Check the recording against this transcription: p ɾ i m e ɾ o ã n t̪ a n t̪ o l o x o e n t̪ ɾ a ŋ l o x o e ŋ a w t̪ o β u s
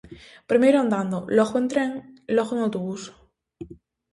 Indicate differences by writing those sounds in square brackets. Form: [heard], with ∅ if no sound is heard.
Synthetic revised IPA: p ɾ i m e ɾ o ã n [d̪] a n [d̪] o l o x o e n t̪ ɾ [e] ŋ l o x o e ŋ a w t̪ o β u s